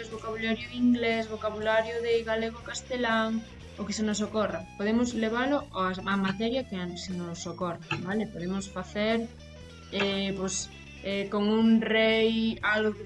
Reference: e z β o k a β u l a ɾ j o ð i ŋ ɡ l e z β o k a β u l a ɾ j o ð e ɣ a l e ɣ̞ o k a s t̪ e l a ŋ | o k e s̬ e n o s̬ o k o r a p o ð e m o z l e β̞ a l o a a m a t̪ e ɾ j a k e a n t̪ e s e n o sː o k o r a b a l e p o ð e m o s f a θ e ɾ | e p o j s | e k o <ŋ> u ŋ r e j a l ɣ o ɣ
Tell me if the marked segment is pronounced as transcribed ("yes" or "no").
yes